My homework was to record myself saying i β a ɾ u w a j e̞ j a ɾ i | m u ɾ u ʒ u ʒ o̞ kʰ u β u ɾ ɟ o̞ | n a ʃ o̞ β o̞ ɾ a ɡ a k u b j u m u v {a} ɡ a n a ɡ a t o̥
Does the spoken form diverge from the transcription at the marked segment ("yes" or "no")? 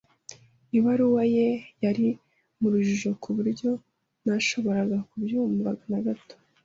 no